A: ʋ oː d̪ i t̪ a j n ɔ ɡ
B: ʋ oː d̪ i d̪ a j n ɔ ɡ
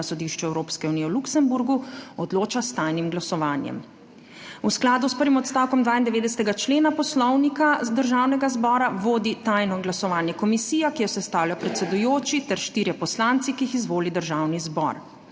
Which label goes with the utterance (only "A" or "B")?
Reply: A